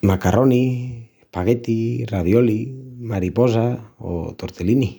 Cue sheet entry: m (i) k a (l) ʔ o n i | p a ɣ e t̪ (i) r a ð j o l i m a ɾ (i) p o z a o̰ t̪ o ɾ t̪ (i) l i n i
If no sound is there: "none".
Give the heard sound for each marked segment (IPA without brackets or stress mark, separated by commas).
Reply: a, r, i, i, e